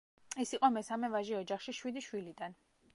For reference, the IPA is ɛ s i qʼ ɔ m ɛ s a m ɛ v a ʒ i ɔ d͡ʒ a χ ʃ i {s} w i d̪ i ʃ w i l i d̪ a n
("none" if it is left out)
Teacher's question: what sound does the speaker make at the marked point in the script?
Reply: ʃ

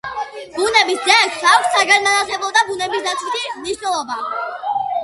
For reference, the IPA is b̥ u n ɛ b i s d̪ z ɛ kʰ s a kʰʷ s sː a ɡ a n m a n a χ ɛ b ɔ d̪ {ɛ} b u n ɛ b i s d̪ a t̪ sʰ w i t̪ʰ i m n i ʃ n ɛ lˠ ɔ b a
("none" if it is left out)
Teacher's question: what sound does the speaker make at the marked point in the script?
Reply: a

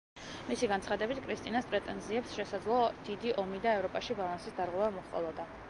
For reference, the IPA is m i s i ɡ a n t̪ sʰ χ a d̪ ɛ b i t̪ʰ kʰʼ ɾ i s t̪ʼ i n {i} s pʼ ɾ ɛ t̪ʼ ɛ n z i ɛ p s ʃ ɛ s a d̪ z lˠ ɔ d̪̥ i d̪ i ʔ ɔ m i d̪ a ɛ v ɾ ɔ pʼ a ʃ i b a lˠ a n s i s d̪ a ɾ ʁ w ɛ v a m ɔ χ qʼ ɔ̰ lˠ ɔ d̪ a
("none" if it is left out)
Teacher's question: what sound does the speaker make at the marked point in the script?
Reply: a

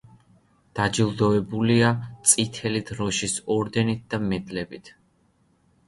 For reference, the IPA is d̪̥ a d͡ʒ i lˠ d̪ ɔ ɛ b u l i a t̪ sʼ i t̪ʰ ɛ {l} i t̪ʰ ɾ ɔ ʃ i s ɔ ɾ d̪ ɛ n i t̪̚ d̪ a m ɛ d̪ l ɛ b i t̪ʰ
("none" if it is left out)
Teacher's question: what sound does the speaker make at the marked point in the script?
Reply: l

